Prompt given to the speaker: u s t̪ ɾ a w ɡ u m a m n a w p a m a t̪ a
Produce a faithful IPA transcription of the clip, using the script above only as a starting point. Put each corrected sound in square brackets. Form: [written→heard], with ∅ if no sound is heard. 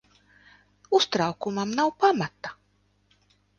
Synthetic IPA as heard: u s t̪ ɾ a w [ɡ→k] u m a m n a w p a m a t̪ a